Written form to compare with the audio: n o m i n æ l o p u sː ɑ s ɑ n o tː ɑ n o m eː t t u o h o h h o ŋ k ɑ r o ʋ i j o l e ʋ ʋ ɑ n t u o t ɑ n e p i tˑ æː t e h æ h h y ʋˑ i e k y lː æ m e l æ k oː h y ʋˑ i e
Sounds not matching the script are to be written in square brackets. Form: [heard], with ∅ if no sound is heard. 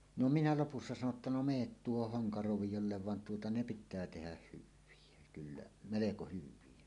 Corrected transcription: n o m i n æ l o p u sː ɑ s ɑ n o tː ɑ n o m eː t t u o h o h h o ŋ k ɑ r o ʋ i j o [lː] e ʋ ʋ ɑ n t u o t ɑ n e p i tˑ æː t e h æ h h y ʋˑ i e k y lː æ m e l [e] k [o] h y ʋˑ i e